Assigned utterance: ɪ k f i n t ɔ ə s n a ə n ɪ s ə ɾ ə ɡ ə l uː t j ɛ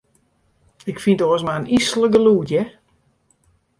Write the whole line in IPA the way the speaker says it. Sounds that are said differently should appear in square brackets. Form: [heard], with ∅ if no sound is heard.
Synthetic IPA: ɪ k f i n t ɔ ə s [m] a ə n [i] s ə [l] ə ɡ ə l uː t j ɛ